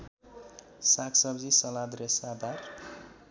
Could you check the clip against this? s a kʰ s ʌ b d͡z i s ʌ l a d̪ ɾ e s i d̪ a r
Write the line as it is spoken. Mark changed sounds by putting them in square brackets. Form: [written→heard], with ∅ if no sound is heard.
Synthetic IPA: s a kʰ s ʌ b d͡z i s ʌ l a d̪ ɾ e s [i→a] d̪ a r